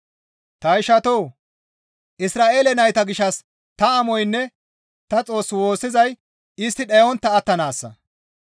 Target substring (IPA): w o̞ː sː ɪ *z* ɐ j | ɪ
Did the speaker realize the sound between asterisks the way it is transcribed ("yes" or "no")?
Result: yes